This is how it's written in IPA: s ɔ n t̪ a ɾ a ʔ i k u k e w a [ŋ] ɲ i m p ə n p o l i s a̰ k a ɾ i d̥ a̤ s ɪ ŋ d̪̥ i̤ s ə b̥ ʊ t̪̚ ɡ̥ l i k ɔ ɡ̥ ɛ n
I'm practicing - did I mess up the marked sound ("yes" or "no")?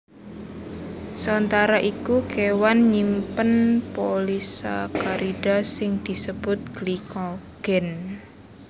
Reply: yes